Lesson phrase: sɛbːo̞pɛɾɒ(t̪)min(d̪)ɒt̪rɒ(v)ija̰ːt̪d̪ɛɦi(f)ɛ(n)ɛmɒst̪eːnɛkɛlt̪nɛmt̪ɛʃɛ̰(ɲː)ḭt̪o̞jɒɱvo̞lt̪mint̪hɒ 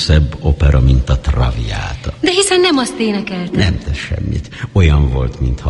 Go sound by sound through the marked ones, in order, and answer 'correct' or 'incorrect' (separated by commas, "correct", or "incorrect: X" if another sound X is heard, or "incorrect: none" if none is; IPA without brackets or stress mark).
incorrect: none, incorrect: t̪, correct, incorrect: s, incorrect: nː, incorrect: mː